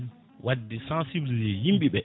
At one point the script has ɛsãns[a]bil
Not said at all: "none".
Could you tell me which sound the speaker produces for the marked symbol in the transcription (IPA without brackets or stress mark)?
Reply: i